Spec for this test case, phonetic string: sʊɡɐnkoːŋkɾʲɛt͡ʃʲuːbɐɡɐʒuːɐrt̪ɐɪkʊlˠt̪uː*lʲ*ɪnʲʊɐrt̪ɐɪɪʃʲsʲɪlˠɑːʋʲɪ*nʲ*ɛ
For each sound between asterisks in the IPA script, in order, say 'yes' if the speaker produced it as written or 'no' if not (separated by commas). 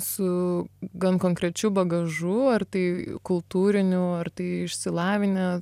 no, yes